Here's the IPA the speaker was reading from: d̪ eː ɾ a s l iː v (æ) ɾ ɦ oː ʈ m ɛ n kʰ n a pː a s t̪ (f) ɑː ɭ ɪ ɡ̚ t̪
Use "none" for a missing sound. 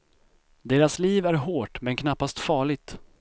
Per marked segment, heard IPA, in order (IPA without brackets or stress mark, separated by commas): æ, f